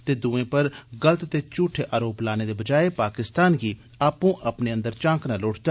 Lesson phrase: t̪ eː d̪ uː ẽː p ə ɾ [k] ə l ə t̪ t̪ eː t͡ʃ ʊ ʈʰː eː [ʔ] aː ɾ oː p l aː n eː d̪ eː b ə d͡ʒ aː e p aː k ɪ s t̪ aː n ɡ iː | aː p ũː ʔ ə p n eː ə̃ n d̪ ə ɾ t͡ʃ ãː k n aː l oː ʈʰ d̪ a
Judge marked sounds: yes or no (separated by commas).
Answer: no, yes